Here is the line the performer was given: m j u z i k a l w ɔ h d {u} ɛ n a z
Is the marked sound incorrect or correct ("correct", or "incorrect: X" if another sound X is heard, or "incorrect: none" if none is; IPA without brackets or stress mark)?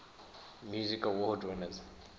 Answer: incorrect: w